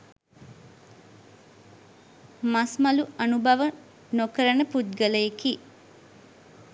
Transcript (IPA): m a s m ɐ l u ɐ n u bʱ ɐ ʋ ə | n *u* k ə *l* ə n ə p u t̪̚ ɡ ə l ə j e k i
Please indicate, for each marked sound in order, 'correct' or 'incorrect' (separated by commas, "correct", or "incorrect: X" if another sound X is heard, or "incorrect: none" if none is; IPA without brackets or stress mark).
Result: incorrect: o, incorrect: ɾ